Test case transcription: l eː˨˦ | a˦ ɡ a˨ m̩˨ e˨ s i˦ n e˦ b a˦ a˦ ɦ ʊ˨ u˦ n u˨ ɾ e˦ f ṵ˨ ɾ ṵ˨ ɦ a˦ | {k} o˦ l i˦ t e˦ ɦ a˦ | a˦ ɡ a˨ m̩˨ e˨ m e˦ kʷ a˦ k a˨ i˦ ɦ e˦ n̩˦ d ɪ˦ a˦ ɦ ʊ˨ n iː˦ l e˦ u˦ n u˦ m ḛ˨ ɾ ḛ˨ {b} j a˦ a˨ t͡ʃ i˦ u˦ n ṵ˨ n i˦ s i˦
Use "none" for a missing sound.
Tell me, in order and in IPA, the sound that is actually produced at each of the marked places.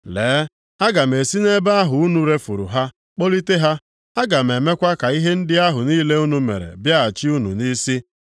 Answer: k͡p, b

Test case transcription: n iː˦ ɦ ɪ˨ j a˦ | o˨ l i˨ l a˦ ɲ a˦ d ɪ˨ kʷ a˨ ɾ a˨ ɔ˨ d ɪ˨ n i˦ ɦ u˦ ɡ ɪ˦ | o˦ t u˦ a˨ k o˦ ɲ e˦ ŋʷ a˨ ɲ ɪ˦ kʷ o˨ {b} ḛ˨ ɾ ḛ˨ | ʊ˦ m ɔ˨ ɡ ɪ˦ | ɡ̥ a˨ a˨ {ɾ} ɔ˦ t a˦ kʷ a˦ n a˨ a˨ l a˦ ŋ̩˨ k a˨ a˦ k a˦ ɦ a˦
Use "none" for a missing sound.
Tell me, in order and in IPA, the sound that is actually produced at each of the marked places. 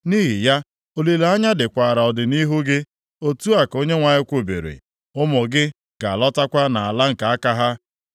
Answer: b, l

